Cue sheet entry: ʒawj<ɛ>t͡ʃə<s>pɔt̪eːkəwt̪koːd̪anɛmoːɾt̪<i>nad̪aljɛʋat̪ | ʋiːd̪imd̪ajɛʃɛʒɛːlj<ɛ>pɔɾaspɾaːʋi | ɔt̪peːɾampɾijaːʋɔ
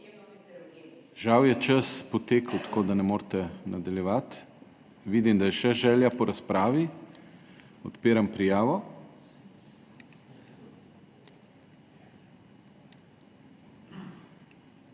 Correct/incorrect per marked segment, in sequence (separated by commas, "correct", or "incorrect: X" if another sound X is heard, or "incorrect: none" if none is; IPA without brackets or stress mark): correct, correct, incorrect: ɛ, incorrect: a